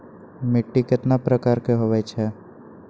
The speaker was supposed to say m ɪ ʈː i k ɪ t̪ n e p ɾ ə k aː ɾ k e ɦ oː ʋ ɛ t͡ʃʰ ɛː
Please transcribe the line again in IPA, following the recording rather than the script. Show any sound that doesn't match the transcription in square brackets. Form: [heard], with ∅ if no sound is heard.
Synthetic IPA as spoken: m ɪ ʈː i k ɪ t̪ n [a] p ɾ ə k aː ɾ k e ɦ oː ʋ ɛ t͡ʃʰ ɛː